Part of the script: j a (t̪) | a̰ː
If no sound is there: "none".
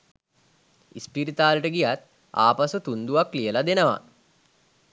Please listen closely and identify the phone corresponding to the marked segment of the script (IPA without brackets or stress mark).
t̪